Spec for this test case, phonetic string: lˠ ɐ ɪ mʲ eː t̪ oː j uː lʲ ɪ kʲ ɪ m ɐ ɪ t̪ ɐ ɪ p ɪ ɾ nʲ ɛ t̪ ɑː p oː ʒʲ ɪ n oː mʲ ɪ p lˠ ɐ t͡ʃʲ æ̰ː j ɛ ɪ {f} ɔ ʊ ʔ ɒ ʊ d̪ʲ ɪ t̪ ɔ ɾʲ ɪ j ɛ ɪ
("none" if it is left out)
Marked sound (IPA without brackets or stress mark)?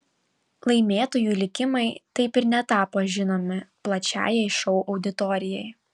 ʃ